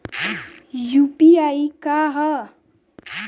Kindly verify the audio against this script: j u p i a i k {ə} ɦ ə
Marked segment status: incorrect: a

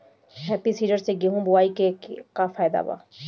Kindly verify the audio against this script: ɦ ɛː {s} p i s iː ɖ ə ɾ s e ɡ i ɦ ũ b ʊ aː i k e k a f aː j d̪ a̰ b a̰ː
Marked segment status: incorrect: none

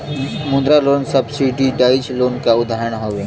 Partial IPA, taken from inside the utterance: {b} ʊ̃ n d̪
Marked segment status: incorrect: m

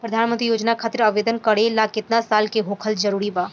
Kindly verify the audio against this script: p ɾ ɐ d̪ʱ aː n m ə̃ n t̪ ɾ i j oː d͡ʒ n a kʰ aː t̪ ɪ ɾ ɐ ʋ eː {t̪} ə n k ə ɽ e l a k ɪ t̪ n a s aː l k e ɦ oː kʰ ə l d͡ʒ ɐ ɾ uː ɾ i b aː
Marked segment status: incorrect: d̪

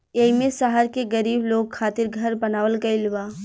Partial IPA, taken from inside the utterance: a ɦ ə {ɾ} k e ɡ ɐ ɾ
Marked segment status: correct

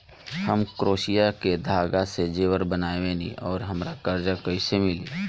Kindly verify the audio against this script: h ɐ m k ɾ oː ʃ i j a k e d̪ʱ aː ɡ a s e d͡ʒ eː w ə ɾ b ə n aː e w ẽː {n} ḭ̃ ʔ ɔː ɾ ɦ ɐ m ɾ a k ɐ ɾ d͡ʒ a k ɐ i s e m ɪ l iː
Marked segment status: correct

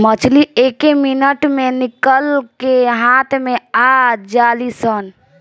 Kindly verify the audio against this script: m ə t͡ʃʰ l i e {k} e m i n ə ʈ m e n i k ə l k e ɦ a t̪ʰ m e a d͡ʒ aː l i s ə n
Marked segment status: correct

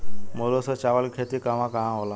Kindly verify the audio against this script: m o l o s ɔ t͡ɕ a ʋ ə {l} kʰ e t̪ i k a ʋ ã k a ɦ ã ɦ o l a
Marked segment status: correct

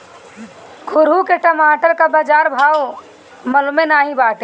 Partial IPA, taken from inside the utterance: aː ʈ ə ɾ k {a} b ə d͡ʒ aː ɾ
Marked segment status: correct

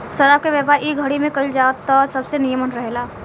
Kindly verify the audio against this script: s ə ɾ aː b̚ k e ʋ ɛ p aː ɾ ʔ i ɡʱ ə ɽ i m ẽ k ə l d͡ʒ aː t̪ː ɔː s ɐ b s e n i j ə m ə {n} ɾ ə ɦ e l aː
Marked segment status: correct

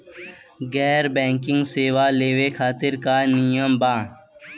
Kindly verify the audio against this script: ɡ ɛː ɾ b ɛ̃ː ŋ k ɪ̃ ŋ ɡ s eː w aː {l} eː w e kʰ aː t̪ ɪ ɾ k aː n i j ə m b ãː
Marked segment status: correct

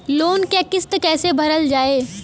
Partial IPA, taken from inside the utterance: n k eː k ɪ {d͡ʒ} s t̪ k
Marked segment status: incorrect: none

